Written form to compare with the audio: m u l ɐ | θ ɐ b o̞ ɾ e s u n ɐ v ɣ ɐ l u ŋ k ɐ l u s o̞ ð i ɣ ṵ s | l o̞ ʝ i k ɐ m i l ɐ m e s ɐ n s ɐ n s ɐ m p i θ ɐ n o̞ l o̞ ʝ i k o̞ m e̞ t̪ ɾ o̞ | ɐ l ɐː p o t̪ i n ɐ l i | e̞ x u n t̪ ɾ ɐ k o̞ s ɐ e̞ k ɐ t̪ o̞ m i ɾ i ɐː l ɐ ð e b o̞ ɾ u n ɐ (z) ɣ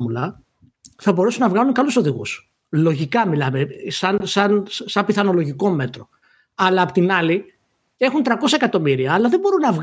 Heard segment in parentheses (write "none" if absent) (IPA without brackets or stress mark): v